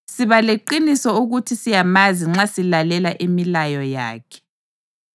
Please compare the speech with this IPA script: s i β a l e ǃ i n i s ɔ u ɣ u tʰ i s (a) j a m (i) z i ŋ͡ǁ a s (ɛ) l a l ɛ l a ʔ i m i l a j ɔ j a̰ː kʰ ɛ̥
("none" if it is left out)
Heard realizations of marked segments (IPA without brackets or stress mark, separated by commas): i, a, i